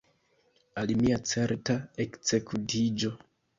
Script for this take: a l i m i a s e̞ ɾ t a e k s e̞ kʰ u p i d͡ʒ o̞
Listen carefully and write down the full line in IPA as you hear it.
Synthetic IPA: a l i m i a t͡s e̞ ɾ t a e k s e̞ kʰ u t i d͡ʒ o̞